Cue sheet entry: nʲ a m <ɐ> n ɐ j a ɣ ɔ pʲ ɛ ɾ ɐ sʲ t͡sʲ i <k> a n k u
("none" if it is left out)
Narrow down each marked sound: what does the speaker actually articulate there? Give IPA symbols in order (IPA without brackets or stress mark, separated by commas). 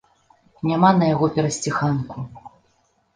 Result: a, x